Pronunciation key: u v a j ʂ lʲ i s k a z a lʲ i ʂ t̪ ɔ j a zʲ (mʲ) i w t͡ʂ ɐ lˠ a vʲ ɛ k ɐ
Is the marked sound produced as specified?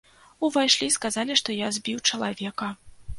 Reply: no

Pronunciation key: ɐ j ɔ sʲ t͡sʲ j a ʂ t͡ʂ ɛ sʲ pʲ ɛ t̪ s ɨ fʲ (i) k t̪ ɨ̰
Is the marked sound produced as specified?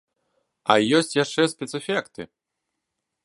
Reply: no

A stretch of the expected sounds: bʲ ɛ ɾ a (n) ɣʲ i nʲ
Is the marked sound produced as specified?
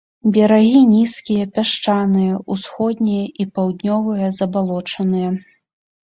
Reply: no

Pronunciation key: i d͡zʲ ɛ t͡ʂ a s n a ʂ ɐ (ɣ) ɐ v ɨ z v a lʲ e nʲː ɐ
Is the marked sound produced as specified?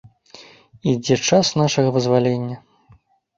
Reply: yes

